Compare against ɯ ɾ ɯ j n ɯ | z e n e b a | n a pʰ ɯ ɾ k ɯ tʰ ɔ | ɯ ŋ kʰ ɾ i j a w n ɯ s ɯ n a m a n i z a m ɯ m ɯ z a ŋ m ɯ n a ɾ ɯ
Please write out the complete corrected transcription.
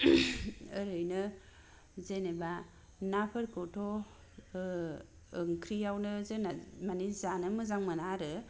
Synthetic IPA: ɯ ɾ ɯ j n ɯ | z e n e b a | n a pʰ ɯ ɾ k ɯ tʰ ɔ | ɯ ŋ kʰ ɾ i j a w n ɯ z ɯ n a m a n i z a n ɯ m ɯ z a ŋ m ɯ n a ɾ ɯ